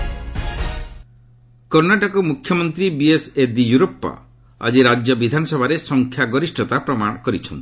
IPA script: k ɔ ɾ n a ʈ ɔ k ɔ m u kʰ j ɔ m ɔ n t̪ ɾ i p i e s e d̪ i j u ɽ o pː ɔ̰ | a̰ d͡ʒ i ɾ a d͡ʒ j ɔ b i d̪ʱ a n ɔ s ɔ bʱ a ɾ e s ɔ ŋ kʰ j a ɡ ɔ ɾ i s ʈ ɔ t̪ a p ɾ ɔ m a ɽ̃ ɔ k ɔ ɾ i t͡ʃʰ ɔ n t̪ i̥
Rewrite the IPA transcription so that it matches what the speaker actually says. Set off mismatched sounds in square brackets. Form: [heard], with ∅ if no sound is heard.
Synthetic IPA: k ɔ ɾ n a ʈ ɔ k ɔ m u kʰ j ɔ m ɔ n t̪ ɾ i [b] i e s e d̪ i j u [ɾ] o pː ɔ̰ | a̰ d͡ʒ i ɾ a d͡ʒ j ɔ b i d̪ʱ a n ɔ s ɔ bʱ a ɾ e s ɔ ŋ kʰ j a ɡ ɔ ɾ i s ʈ ɔ t̪ a p ɾ ɔ m a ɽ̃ ɔ k ɔ ɾ i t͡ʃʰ ɔ n t̪ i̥